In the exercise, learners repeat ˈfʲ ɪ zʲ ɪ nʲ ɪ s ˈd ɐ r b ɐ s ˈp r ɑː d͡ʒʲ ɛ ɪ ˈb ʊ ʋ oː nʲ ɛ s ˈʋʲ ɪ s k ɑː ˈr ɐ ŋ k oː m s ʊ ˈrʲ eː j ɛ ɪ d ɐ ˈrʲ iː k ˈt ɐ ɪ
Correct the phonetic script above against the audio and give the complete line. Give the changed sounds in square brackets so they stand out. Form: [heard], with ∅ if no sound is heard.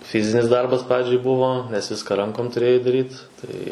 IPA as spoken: ˈfʲ ɪ zʲ ɪ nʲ ɪ s ˈd ɐ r b ɐ s ˈp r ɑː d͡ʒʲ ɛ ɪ ˈb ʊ ʋ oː nʲ ɛ s ˈʋʲ ɪ s k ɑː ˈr ɐ ŋ k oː m [t] ʊ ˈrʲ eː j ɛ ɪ d ɐ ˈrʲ iː [t] ˈt ɐ ɪ